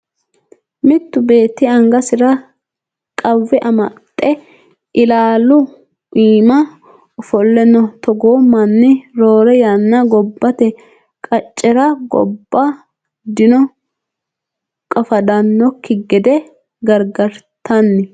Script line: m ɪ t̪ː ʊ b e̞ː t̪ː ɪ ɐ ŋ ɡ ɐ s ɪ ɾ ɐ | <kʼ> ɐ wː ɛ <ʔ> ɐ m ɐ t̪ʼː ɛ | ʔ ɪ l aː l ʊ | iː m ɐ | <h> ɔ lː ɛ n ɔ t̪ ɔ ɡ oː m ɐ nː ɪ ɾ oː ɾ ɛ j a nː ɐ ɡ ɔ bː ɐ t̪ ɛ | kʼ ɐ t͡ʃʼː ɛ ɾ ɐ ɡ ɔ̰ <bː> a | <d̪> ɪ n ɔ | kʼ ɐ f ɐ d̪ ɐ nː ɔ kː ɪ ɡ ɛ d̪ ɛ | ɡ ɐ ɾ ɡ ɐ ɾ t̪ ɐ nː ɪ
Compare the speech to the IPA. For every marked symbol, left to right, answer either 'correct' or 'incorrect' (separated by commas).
correct, correct, incorrect, correct, correct